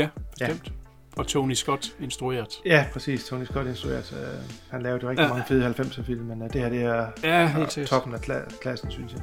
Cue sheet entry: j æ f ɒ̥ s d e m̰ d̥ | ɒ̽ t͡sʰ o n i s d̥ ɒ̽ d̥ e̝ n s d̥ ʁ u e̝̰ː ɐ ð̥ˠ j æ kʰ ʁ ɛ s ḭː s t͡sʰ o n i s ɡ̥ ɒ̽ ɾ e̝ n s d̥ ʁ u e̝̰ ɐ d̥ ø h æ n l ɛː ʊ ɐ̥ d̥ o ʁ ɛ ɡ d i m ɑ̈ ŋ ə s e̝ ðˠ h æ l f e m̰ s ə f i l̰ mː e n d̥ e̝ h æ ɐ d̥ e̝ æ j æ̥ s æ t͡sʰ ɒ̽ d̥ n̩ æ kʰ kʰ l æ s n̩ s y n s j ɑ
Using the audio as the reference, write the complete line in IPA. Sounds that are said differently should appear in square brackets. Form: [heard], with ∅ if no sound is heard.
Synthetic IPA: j æ f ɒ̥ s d e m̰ d̥ | ɒ̽ t͡sʰ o n i s [ɡ̥] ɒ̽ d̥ e̝ n s d̥ ʁ u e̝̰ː ɐ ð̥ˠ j æ [pʰ] ʁ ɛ s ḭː s t͡sʰ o n i s ɡ̥ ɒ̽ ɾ e̝ n s d̥ ʁ u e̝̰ ɐ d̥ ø h æ n l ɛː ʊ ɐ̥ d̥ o ʁ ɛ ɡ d i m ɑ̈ ŋ ə [f] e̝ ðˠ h æ l f e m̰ s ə f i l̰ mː e n d̥ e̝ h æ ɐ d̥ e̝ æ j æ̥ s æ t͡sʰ ɒ̽ [b̥] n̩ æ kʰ kʰ l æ s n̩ s y n s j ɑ